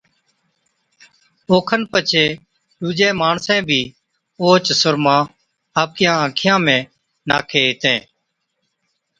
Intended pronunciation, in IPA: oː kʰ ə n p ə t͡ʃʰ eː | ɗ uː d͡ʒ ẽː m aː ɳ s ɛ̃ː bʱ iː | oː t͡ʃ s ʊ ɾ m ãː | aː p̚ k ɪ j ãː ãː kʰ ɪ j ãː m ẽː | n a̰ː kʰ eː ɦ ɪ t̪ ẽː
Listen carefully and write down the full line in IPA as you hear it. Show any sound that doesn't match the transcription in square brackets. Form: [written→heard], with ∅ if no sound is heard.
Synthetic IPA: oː kʰ ə n p ə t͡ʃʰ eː | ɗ uː d͡ʒ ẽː m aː ɳ s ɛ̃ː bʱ iː | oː t͡ʃ s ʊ ɾ m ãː | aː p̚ k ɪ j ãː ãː kʰ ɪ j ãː m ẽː | n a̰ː kʰ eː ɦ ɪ t̪ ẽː

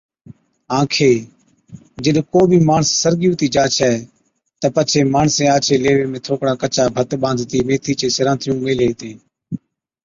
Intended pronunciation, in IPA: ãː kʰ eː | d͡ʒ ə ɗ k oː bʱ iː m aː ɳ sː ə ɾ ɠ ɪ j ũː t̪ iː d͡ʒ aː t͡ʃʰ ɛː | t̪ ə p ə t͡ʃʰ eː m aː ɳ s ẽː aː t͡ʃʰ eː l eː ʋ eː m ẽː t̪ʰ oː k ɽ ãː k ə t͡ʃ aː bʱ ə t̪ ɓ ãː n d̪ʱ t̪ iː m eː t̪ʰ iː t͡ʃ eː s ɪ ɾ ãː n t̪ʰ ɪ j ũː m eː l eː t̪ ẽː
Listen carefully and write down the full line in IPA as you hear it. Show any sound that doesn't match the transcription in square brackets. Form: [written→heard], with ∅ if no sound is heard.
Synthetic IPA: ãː kʰ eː | d͡ʒ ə ɗ k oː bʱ iː m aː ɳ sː ə ɾ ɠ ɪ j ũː t̪ iː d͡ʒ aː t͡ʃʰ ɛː | t̪ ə p ə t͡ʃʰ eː m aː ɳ s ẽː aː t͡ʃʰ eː l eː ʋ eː m ẽː t̪ʰ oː k ɽ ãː k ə t͡ʃ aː bʱ ə t̪ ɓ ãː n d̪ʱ t̪ iː m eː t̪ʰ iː t͡ʃ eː s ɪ ɾ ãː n t̪ʰ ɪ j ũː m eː l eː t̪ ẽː

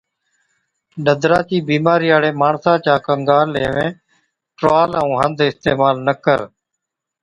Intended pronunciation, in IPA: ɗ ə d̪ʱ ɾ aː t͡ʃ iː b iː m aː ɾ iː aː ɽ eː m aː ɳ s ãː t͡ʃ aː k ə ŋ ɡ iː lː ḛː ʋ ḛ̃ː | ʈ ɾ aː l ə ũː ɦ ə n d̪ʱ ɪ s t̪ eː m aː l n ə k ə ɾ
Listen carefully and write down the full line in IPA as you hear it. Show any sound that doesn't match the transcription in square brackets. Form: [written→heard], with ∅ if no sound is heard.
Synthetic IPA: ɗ ə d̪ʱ ɾ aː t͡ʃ iː b iː m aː ɾ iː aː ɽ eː m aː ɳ s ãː t͡ʃ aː k ə ŋ ɡ [iː→aː] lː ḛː ʋ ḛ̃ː | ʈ ɾ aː l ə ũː ɦ ə n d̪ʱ ɪ s t̪ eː m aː l n ə k ə ɾ

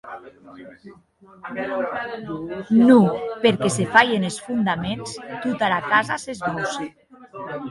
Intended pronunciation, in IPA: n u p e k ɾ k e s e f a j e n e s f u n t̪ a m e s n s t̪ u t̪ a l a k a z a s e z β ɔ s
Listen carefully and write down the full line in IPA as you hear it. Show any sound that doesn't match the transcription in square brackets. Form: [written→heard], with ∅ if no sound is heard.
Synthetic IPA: n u p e [k→∅] ɾ k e s e f a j e n e s f u n [t̪→d̪] a m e [s→∅] n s t̪ u t̪ a l a k a z a s e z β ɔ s

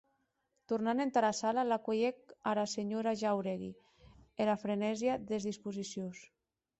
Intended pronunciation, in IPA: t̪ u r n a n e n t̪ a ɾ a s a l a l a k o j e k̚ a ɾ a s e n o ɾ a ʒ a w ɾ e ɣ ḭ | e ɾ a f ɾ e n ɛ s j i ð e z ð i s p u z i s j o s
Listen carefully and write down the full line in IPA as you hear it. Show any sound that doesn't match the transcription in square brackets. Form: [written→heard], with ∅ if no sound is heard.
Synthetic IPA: t̪ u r n a n e n t̪ a ɾ a s a l a l a k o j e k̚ a ɾ a s e [n→ɲ] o ɾ a ʒ a w ɾ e ɣ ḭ | e [ɾ→l] a f ɾ e n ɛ [s→z] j [i→a] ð e z ð i s p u z i s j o s

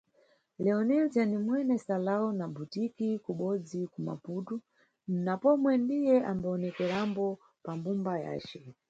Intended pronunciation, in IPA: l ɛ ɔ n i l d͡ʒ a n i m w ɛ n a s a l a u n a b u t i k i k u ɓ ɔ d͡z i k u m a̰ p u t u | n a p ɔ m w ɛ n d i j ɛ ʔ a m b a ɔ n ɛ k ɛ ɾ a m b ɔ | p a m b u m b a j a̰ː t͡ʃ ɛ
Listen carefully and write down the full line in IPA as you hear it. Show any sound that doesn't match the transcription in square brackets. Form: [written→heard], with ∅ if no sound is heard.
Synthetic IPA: l ɛ ɔ n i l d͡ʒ a n i m w ɛ n [a→ɛ] s a l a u n a b u t i k i k u ɓ ɔ d͡z i k u m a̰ p u t u | n a p ɔ m w ɛ n d i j ɛ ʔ a m b a ɔ n ɛ k ɛ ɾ a m b ɔ | p a m b u m b a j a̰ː t͡ʃ ɛ

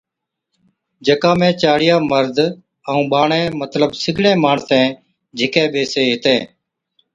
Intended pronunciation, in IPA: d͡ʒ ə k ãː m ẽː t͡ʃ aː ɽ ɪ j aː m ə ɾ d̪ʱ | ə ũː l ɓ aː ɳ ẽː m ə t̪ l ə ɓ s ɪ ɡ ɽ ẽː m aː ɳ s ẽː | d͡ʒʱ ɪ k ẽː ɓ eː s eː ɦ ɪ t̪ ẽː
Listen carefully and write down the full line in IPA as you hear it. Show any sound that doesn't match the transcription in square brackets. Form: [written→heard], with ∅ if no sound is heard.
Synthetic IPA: d͡ʒ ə k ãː m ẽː t͡ʃ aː ɽ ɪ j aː m ə ɾ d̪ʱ | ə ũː [l→∅] ɓ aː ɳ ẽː m ə t̪ l ə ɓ s ɪ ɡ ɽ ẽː m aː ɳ s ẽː | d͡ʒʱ ɪ k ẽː ɓ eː s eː ɦ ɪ t̪ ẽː

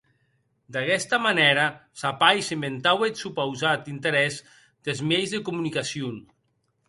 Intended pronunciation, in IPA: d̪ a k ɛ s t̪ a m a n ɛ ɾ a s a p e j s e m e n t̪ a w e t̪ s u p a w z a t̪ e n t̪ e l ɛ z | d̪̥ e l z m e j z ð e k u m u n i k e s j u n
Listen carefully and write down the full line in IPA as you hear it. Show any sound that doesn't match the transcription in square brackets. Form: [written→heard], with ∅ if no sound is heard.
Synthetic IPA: d̪ a k ɛ s t̪ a m a n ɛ ɾ a s a p [e→a] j s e m e n t̪ a w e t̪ s u p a w z a t̪ [e→i] n t̪ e [l→ɾ] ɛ z | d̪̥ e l z m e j z ð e k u m u n i k [e→a] s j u n

